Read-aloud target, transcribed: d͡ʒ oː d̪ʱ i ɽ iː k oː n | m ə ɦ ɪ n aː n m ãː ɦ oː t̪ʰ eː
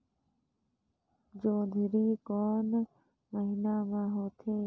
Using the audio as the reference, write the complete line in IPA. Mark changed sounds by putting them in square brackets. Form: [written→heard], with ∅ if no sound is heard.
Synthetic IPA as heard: d͡ʒ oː d̪ʱ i [ɽ→ɾ] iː k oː n | m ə ɦ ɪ n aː [n→∅] m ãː ɦ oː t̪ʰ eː